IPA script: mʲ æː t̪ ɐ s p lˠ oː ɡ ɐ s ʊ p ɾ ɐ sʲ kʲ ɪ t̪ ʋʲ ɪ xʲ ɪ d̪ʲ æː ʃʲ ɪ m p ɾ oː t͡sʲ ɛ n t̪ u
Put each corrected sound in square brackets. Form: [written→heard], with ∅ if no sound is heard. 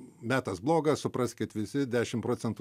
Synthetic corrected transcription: mʲ æː t̪ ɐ s [p→b] lˠ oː ɡ ɐ s ʊ p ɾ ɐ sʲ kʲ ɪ t̪ ʋʲ ɪ [xʲ→sʲ] ɪ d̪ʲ æː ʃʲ ɪ m p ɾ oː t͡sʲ ɛ n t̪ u